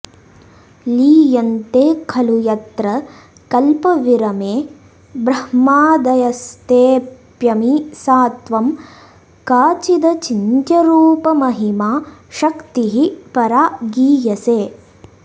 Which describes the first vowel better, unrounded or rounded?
unrounded